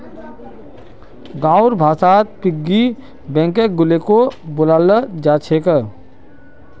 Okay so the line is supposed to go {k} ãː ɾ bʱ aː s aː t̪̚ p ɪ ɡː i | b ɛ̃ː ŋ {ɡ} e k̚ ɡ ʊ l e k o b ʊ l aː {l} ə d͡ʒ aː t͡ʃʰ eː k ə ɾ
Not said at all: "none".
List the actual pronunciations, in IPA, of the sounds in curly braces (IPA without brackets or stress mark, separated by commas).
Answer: ɡ, k, l